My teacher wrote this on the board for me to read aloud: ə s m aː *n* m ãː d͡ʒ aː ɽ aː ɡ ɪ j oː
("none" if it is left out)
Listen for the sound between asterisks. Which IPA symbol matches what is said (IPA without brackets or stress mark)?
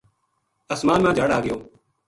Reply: n